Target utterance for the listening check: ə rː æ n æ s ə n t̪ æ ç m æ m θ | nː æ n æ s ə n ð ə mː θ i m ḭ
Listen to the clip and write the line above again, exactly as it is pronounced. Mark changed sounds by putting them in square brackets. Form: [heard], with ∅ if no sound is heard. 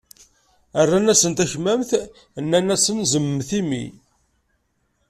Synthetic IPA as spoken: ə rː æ n æ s ə n t̪ æ ç m æ m θ | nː æ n æ s ə n [z] ə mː θ i m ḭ